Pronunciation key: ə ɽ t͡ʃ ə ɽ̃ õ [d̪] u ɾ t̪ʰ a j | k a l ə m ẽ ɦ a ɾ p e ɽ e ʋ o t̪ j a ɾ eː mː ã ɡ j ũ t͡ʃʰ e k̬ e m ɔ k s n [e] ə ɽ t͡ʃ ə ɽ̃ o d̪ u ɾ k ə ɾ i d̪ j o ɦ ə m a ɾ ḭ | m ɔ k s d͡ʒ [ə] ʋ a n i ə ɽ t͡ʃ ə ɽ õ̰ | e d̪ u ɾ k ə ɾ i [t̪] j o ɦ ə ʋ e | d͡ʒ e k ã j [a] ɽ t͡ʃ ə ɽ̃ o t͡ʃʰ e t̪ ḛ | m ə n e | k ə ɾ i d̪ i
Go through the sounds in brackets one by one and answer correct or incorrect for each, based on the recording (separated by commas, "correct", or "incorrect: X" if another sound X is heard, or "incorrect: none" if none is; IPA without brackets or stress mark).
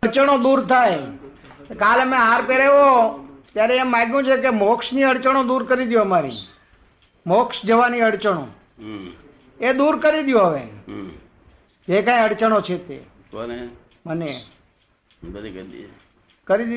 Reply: correct, incorrect: i, correct, incorrect: d̪, incorrect: ə